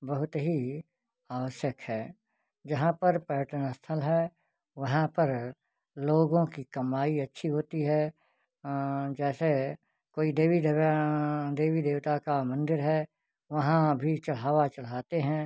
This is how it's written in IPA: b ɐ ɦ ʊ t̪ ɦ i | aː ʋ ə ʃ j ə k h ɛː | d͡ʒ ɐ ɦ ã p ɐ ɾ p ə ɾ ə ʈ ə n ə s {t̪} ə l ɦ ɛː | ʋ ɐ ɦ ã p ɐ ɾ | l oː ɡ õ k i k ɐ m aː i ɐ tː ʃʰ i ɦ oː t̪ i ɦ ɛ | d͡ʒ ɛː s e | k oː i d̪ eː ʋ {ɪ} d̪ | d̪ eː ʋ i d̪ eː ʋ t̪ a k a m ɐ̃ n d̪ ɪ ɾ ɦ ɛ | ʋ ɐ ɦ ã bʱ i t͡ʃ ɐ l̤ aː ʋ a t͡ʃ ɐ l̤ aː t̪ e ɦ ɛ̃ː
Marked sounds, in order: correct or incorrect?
incorrect: t̪ʰ, incorrect: i

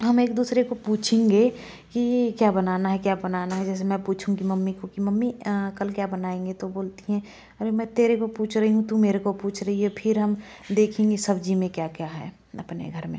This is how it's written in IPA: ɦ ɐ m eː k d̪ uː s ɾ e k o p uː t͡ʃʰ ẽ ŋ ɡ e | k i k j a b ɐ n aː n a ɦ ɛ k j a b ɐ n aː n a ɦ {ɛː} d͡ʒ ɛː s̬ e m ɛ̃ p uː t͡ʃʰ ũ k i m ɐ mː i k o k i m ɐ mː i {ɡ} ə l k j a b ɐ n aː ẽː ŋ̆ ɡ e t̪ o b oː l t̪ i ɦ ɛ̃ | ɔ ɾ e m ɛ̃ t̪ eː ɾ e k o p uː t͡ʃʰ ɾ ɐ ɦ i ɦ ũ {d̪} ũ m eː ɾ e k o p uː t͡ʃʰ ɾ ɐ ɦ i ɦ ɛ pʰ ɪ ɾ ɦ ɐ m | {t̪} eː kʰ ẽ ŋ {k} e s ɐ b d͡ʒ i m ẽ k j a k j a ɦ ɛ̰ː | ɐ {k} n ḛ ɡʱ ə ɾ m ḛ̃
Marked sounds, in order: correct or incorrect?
incorrect: ɛ, incorrect: k, incorrect: t̪, incorrect: d̪, incorrect: ɡ, incorrect: p

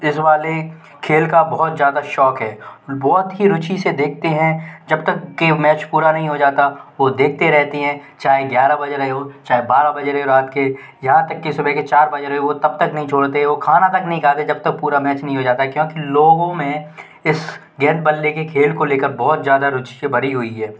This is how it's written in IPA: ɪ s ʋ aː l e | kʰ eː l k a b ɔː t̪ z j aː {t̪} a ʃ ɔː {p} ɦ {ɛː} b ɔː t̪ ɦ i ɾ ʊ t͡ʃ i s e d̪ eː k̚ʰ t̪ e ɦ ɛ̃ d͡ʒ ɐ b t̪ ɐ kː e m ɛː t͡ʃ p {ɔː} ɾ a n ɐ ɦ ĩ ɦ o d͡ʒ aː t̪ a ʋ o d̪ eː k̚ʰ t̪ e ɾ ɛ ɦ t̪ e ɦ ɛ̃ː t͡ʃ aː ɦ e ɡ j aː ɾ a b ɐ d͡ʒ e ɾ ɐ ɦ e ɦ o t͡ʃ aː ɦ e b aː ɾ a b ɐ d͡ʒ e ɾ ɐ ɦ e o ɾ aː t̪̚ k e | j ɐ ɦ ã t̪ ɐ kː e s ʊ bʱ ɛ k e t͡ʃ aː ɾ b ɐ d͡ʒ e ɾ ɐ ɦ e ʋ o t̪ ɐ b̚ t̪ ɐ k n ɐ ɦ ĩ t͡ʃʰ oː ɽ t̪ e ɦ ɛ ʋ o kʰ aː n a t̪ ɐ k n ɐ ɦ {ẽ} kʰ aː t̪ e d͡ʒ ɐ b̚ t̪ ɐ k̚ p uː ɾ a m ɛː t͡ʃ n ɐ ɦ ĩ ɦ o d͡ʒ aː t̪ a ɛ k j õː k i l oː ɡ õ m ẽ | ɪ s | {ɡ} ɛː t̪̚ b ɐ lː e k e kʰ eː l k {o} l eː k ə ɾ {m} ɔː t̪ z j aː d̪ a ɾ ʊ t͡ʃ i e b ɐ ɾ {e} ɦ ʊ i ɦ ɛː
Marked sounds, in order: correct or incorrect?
incorrect: d̪, incorrect: k, correct, incorrect: uː, incorrect: ĩ, correct, correct, incorrect: b, incorrect: i

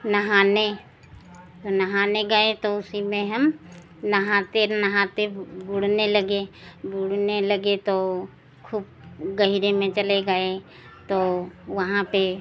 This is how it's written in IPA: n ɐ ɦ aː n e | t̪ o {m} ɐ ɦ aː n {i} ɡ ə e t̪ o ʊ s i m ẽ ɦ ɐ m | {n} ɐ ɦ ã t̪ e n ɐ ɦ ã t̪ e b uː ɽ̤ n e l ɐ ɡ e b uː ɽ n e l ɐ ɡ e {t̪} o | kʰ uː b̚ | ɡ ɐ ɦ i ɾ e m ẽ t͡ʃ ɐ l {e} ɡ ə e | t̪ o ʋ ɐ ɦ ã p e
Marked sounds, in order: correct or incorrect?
incorrect: n, incorrect: e, correct, correct, correct

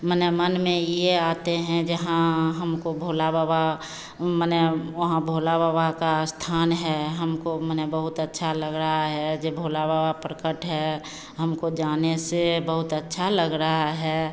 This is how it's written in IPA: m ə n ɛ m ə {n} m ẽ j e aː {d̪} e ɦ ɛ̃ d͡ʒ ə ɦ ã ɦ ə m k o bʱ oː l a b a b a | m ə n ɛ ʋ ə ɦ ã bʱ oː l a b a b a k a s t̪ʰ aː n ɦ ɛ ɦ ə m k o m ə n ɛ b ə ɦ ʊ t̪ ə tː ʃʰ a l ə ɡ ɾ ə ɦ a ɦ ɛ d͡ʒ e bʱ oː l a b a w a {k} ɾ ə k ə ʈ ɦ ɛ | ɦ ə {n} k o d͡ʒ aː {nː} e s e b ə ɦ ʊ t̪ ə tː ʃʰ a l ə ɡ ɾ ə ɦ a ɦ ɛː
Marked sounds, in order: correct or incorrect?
correct, incorrect: t̪, incorrect: p, incorrect: m, incorrect: n

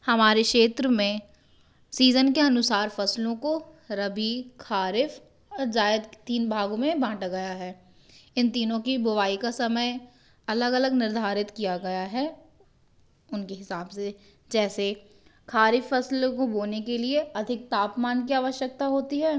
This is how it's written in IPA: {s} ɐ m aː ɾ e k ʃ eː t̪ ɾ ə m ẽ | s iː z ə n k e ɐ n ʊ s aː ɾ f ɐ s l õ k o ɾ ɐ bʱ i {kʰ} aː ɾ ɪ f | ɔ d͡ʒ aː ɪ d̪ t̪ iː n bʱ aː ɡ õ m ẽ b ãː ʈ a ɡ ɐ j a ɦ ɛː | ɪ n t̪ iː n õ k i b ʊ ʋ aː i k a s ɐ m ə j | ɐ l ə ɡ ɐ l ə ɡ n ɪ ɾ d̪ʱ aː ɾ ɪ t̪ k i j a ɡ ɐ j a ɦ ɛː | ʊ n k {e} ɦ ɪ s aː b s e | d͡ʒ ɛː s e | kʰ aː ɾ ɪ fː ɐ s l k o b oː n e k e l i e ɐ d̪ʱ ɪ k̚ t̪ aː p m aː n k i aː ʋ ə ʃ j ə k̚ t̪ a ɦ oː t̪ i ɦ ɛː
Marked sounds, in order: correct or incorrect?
incorrect: h, correct, correct

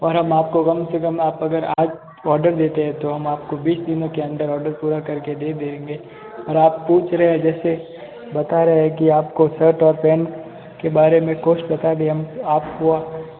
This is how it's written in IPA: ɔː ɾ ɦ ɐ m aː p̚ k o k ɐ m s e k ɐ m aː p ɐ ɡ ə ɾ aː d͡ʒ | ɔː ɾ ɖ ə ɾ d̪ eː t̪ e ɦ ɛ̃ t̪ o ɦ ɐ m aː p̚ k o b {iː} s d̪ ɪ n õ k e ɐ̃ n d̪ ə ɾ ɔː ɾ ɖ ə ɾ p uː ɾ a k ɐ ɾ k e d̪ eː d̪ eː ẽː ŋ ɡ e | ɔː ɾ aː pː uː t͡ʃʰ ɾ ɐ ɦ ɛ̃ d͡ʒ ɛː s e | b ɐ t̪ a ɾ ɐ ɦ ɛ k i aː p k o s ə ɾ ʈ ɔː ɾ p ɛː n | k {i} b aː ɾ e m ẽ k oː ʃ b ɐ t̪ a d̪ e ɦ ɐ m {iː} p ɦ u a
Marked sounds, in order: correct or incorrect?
correct, incorrect: e, incorrect: aː

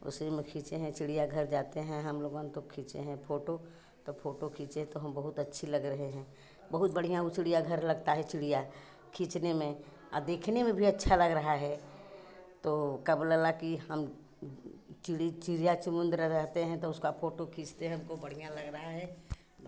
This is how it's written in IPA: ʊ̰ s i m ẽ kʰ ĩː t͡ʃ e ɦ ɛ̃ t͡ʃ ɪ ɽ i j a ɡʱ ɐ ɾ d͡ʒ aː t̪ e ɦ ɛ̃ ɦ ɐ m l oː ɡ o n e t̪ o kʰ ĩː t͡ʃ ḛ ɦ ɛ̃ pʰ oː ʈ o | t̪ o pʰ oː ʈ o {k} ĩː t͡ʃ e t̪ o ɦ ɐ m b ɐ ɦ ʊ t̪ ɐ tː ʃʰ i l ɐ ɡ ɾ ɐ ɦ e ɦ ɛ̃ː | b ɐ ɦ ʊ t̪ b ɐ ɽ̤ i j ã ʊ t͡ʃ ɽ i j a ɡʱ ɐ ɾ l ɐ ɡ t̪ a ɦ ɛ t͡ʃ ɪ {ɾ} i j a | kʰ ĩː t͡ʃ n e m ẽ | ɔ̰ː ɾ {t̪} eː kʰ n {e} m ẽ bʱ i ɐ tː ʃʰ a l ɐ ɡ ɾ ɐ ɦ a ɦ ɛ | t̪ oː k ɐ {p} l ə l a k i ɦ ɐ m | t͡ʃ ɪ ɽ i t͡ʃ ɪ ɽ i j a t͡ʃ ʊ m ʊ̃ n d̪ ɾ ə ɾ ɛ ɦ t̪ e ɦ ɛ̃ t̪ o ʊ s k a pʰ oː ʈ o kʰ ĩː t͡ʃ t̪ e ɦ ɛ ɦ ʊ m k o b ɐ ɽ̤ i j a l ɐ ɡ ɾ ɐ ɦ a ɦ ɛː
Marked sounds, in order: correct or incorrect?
incorrect: kʰ, incorrect: ɽ, incorrect: d̪, correct, incorrect: b

